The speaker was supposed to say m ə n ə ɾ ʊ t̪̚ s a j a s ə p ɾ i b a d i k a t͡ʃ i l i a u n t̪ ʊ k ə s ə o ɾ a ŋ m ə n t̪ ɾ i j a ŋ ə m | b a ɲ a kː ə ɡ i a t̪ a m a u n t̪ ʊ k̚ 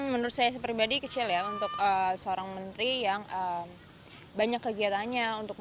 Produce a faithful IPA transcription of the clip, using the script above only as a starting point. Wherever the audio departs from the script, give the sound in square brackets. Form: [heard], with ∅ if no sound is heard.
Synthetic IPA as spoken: m ə n ə ɾ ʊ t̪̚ s a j a s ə p ɾ i b a d i k [ə] t͡ʃ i l [j] a u n t̪ ʊ k ə s ə o ɾ a ŋ m ə n t̪ ɾ i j a ŋ ə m | b a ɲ a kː ə ɡ i a t̪ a [ɲ] a u n t̪ ʊ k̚